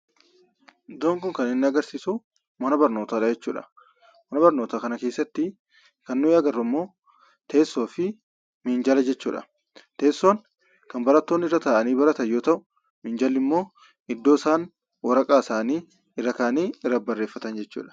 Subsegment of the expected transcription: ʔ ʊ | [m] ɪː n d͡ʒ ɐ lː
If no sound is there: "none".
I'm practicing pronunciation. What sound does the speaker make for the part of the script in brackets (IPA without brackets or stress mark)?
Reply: m